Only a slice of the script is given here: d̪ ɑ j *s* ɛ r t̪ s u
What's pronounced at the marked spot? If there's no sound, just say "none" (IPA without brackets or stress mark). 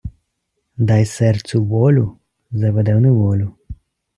s